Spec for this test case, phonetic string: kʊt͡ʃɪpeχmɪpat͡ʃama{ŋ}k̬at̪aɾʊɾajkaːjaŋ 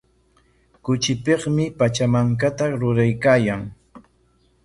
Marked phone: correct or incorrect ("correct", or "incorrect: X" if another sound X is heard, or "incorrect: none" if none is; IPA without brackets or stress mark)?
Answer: correct